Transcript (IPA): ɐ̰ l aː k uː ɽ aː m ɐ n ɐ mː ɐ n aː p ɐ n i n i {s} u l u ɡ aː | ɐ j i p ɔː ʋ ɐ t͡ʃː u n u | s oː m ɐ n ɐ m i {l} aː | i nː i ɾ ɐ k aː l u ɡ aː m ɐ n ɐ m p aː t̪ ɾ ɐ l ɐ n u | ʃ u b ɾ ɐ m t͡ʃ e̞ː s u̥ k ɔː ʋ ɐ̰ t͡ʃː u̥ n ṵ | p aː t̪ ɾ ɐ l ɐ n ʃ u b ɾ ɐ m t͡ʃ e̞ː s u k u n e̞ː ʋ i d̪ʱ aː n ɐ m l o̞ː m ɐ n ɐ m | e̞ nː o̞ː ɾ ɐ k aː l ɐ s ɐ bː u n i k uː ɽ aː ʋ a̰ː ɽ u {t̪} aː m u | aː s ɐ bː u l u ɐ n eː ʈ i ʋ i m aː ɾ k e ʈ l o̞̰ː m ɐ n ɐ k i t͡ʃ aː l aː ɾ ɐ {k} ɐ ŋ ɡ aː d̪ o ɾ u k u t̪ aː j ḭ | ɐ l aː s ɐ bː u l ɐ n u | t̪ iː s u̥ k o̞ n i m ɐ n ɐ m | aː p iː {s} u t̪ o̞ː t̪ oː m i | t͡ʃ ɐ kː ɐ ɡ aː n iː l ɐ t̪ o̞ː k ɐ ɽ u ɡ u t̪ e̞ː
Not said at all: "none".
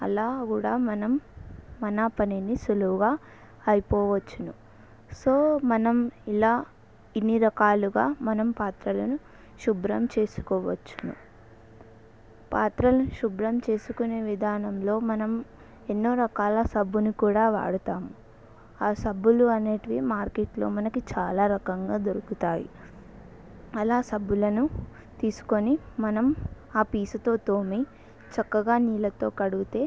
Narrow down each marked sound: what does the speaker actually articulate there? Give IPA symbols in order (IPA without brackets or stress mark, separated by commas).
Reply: s, l, t̪, k, s